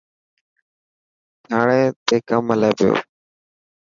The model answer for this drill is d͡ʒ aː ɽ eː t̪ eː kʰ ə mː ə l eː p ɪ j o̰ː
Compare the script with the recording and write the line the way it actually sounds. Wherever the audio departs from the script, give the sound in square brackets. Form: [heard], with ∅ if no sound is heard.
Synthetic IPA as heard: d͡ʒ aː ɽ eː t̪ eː [k] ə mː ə l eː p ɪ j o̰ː